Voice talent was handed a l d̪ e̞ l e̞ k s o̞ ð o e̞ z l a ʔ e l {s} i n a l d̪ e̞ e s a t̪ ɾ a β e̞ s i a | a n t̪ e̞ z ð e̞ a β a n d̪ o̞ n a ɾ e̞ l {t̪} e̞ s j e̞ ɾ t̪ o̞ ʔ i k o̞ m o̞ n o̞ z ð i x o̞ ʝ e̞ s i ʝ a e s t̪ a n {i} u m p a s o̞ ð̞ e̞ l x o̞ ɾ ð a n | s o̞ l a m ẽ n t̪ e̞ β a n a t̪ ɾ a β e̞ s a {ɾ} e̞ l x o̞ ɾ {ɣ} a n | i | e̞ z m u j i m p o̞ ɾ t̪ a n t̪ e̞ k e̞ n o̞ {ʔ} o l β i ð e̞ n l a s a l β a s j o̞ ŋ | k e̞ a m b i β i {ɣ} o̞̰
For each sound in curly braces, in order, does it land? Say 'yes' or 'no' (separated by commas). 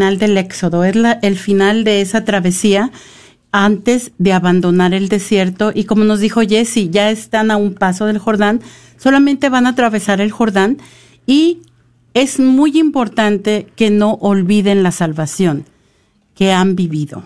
no, no, no, yes, no, yes, no